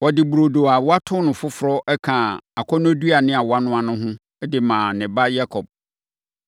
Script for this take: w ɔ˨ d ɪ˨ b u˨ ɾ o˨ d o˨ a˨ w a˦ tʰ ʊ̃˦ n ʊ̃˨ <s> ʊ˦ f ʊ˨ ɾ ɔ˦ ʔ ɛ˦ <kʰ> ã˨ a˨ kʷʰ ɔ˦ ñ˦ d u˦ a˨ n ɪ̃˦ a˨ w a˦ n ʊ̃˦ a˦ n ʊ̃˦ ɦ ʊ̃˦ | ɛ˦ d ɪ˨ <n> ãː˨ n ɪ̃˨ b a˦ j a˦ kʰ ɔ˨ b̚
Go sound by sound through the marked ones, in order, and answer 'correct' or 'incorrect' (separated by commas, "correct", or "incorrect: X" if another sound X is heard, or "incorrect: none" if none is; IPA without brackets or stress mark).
incorrect: f, correct, incorrect: m